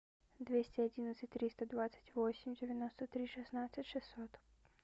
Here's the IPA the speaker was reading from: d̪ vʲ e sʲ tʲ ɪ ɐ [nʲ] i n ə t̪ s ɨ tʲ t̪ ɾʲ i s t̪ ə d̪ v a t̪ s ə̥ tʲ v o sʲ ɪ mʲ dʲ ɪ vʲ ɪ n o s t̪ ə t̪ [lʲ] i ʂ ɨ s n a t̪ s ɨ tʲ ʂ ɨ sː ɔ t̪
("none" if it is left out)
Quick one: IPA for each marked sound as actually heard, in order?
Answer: dʲ, ɾʲ

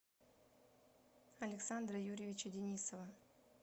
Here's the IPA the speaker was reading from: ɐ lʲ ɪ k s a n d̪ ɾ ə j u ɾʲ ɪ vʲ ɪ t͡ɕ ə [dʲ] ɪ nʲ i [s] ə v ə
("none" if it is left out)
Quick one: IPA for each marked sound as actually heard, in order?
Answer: dʲ, s

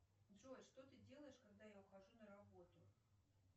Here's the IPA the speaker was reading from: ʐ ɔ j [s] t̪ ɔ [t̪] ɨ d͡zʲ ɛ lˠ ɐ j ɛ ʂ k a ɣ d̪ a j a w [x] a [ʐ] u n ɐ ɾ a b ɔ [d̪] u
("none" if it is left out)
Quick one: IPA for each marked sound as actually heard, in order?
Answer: ʂ, t̪, x, ʐ, t̪

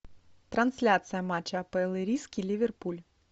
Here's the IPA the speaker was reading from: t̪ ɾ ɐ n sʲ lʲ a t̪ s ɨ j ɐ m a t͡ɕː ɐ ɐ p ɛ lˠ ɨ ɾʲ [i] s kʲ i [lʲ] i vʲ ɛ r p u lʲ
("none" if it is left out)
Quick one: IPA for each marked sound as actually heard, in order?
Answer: i, lʲ

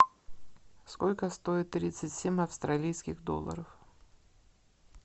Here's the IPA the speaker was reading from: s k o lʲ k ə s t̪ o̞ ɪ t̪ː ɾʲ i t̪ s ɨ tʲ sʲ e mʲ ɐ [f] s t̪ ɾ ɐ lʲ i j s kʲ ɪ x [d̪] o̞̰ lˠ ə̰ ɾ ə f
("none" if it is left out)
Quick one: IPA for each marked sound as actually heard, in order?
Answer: f, d̪

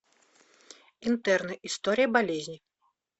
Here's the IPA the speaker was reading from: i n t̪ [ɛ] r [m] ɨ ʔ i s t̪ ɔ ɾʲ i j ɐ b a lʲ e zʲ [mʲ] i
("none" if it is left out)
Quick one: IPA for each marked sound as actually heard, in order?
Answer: ɛ, n, nʲ

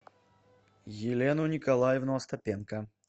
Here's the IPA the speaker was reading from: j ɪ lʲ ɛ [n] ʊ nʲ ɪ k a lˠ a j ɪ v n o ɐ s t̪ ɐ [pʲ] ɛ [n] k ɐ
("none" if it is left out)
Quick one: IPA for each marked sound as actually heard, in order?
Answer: n, pʲ, n

